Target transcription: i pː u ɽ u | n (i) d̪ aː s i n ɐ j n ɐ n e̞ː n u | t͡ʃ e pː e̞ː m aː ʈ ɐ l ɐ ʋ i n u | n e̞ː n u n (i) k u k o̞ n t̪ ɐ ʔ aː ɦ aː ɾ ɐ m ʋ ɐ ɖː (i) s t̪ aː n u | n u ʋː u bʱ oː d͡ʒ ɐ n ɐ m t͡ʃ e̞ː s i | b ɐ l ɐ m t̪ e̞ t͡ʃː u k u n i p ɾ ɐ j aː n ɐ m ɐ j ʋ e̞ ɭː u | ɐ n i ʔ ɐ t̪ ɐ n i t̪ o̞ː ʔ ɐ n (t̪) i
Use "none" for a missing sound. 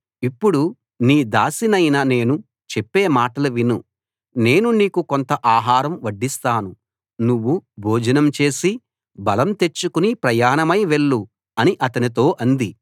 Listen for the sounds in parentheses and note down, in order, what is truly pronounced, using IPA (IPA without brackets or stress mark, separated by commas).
iː, iː, i, d̪